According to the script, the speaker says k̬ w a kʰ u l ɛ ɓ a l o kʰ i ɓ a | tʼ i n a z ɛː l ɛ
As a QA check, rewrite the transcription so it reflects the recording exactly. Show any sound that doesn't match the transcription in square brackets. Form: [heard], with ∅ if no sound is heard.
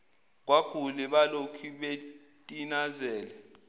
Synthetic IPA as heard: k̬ w a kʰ u l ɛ ɓ a l o kʰ i ɓ [e] | tʼ i n a z ɛː l ɛ